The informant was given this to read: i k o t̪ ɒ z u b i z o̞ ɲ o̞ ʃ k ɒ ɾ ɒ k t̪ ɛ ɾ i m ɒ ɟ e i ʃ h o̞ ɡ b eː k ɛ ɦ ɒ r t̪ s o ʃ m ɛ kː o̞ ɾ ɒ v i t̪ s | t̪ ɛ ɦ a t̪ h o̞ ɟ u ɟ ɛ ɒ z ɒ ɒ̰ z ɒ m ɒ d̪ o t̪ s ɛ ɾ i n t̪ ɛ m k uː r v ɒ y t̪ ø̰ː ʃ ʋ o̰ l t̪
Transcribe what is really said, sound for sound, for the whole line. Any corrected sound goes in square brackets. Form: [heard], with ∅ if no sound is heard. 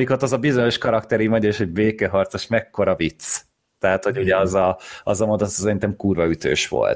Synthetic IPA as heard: i k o t̪ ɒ z [ɒ] b i z o̞ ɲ o̞ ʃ k ɒ ɾ ɒ k t̪ ɛ ɾ i m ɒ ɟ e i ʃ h o̞ [ɟ] b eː k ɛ ɦ ɒ r t̪ s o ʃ m ɛ kː o̞ ɾ ɒ v i t̪ s | t̪ ɛ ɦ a t̪ h o̞ ɟ u ɟ ɛ ɒ z ɒ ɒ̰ z ɒ m [o] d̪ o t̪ s ɛ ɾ i n t̪ ɛ m k uː r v ɒ y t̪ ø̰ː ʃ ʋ o̰ l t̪